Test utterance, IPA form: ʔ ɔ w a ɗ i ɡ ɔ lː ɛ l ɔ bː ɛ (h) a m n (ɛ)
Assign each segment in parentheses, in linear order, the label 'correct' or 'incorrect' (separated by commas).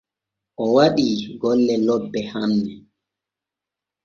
correct, correct